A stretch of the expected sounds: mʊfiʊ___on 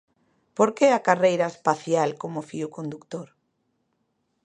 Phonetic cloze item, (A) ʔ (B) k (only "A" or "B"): B